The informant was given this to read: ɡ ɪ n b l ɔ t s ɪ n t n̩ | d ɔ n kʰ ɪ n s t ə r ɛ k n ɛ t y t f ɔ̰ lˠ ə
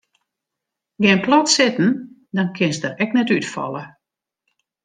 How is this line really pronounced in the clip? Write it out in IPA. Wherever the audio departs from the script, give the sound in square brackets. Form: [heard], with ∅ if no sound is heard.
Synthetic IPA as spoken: ɡ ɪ n [p] l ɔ t s ɪ [∅] t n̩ | d ɔ n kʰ ɪ n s [d] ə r ɛ k n ɛ t y t f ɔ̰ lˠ ə